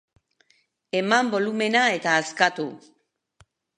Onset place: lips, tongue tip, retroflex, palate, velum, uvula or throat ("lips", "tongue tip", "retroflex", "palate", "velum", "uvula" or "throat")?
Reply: lips